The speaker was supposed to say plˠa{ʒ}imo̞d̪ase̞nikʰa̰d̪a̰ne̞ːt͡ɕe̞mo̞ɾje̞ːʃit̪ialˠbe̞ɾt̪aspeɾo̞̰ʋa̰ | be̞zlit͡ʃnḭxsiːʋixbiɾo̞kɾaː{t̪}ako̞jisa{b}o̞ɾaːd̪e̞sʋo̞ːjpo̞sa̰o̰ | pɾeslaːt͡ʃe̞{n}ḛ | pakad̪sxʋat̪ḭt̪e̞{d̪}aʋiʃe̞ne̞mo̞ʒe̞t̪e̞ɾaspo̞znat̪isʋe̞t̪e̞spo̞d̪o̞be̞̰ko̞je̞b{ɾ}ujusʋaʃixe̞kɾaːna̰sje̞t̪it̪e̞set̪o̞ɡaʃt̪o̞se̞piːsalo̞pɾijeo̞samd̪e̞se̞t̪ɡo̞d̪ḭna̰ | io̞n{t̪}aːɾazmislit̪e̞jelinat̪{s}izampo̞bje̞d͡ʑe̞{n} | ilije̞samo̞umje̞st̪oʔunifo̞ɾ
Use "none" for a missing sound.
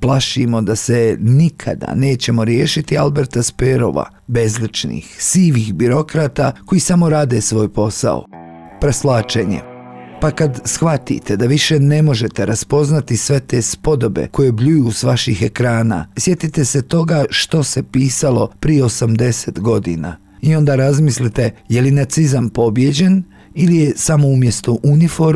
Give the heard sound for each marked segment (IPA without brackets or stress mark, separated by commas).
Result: ʃ, t̪, m, ɲ, d̪, ʎ, d̪, s, n